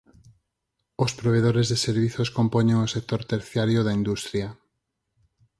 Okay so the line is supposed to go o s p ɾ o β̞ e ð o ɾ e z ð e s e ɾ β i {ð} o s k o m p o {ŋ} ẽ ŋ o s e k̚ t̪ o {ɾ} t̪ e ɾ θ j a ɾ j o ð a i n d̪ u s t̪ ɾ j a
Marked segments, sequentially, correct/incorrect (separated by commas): incorrect, incorrect, correct